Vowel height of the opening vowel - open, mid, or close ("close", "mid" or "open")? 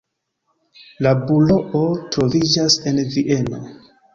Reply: open